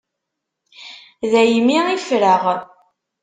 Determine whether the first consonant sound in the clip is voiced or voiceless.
voiced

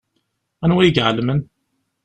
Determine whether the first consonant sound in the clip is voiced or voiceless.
voiced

